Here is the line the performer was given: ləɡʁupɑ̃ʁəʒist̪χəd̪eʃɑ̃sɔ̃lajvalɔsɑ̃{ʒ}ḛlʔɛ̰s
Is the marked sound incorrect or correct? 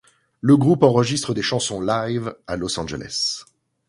correct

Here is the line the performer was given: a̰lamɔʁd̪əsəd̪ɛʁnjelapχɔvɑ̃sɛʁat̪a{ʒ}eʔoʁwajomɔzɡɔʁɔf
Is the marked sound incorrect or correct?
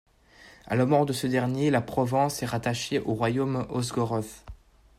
incorrect: ʃ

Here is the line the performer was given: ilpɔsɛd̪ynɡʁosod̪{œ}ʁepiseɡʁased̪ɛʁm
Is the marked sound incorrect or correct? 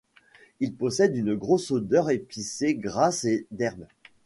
correct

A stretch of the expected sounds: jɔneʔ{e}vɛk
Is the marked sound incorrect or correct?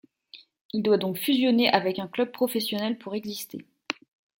incorrect: a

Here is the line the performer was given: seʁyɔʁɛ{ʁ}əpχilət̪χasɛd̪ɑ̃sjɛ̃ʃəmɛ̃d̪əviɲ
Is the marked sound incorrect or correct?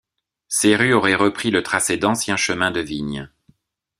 correct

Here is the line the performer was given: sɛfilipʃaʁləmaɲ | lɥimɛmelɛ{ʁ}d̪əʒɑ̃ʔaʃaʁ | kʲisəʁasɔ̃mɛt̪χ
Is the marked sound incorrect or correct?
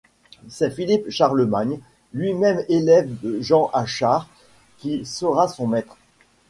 incorrect: v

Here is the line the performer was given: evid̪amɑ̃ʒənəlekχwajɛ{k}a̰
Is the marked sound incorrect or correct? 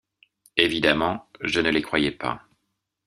incorrect: p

